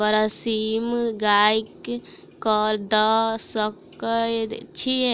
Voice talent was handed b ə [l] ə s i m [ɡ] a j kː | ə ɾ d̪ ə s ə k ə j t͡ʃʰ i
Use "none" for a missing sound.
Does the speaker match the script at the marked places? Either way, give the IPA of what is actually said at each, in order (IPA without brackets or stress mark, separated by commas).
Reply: ɾ, ɡ